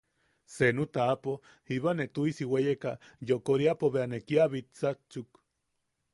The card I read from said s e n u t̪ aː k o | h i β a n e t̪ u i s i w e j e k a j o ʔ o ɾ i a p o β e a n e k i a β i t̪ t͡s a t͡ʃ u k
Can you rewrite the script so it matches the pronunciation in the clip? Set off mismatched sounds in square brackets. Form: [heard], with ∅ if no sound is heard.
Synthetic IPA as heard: s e n u t̪ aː [p] o | h i β a n e t̪ u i s i w e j e k a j o [k] o ɾ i a p o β e a n e k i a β i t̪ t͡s a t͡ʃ u k